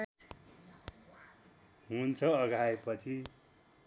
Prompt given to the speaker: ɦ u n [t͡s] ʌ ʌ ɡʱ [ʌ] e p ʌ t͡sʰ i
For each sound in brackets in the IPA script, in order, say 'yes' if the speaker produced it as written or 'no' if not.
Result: no, no

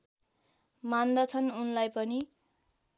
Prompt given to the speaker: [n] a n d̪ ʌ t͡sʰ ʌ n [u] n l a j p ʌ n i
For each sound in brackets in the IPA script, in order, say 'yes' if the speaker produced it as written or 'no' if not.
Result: no, yes

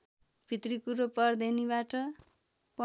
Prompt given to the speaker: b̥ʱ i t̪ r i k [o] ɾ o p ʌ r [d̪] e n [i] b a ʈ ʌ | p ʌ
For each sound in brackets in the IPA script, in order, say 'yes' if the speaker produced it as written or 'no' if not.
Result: no, yes, yes

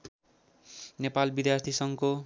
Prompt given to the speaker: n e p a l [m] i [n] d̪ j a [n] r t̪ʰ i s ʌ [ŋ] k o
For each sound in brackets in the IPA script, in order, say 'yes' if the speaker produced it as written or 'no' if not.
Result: no, no, no, yes

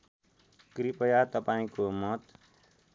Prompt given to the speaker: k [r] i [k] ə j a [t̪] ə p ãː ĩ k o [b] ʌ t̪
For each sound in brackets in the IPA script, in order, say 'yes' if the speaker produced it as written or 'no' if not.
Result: no, no, yes, no

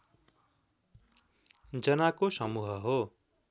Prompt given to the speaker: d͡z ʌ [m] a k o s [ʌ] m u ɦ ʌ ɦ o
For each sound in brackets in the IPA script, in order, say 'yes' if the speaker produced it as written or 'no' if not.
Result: no, yes

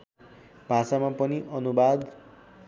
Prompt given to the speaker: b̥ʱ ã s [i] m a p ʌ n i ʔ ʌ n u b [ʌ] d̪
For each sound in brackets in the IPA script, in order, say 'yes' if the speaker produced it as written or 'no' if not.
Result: no, no

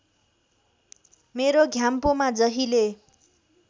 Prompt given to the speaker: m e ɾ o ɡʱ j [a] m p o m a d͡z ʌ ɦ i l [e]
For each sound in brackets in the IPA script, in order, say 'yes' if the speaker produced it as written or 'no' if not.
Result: yes, yes

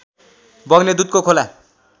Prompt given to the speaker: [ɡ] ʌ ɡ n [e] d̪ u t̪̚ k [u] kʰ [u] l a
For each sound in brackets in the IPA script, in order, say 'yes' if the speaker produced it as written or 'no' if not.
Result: no, yes, no, no

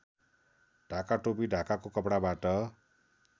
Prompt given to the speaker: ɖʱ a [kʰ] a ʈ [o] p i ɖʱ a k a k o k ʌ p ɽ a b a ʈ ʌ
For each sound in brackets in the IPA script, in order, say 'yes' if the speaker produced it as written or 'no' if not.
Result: no, yes

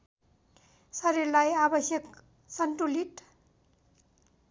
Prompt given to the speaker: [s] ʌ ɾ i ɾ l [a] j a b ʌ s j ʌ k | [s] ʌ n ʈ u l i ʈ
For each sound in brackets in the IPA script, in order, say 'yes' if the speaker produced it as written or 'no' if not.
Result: yes, yes, yes

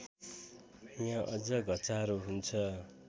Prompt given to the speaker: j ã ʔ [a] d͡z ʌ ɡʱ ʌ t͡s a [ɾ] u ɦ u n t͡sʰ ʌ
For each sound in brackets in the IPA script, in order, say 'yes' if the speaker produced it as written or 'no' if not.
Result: no, yes

